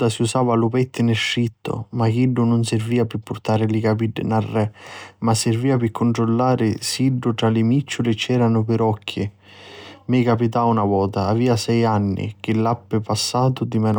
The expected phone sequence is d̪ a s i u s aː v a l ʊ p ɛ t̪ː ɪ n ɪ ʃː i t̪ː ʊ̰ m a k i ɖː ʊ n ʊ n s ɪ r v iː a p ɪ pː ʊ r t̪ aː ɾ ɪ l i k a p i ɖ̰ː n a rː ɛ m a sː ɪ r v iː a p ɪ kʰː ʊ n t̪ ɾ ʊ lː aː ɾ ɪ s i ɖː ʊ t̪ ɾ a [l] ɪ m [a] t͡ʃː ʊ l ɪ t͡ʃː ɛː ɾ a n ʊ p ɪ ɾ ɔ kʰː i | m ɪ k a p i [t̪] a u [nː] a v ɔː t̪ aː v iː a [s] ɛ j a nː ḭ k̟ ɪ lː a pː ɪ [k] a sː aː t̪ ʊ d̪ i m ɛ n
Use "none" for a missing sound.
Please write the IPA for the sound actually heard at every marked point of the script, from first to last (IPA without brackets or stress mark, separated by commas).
l, i, t̪, n, s, p